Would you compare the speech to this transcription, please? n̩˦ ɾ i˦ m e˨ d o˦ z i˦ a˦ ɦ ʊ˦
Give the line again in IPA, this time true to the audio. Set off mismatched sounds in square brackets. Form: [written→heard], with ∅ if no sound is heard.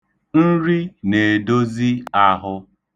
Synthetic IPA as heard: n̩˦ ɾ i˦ [m→n] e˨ d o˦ z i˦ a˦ ɦ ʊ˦